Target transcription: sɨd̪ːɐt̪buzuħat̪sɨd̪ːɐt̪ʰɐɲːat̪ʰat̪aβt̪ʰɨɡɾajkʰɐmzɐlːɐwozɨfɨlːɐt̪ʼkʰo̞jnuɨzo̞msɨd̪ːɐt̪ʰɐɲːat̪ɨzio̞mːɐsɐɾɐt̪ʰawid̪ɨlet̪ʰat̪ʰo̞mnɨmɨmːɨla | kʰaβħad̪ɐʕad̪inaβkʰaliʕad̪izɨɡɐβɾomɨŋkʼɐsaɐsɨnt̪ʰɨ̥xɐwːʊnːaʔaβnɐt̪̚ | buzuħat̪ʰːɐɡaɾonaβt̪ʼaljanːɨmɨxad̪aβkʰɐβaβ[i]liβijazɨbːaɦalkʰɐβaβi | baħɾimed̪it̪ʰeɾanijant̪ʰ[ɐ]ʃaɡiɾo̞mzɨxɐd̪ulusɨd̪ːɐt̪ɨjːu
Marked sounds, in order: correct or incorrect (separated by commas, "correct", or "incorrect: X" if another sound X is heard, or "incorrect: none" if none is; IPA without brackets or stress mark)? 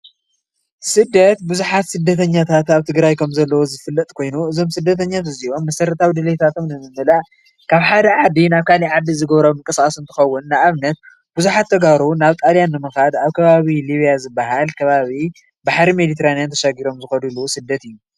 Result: correct, correct